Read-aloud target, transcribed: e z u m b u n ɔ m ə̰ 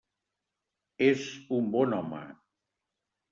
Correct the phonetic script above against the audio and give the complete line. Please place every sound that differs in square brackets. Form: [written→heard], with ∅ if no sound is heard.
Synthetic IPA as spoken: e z u m b [u→ɔ] n ɔ m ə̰